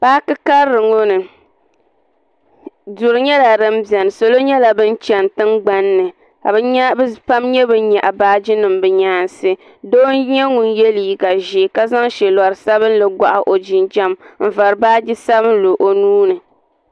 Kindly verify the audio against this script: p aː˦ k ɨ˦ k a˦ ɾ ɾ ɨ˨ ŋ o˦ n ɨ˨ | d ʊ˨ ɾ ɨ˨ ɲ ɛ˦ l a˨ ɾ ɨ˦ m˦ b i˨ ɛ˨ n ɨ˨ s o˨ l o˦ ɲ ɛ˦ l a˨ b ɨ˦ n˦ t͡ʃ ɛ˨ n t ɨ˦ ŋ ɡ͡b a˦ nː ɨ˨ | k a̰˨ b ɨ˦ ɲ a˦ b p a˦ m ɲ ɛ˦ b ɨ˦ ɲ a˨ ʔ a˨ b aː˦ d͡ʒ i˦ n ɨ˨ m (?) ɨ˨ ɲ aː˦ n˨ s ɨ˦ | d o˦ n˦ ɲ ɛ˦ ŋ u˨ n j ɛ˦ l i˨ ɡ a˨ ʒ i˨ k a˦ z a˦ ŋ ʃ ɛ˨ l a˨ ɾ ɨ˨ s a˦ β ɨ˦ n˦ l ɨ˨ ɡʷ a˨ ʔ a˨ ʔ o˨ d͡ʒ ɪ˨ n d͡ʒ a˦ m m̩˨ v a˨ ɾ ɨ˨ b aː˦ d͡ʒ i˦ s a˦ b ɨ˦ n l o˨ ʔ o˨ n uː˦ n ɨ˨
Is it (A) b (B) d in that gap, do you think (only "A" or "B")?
A